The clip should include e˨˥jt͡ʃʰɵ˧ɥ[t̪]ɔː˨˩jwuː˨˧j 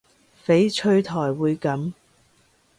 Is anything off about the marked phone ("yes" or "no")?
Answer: yes